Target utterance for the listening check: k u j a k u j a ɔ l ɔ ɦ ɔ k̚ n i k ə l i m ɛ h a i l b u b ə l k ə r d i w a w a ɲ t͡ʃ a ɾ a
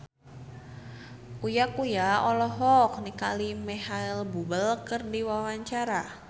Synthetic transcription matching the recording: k u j a k u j a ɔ l ɔ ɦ ɔ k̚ n i k a l i m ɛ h a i l b u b ə l k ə r d i w a w a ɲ t͡ʃ a ɾ a